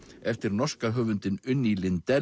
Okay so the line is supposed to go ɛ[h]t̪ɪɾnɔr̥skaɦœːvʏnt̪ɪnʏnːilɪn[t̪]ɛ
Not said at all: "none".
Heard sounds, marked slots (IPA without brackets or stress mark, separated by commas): f, t̪